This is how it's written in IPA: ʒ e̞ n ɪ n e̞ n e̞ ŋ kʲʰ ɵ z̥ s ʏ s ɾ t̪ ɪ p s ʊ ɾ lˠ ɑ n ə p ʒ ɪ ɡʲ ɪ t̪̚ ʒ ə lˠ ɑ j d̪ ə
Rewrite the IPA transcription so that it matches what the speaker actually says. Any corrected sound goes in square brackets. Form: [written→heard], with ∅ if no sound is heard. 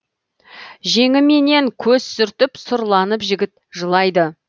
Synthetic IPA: ʒ e̞ [n→ŋ] ɪ [n→m] e̞ n e̞ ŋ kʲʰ ɵ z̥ s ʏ [s→∅] ɾ t̪ ɪ p s ʊ ɾ lˠ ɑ n ə p ʒ ɪ ɡʲ ɪ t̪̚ ʒ ə lˠ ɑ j d̪ ə